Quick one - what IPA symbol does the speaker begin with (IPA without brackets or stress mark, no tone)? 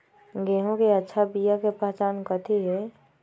ɡ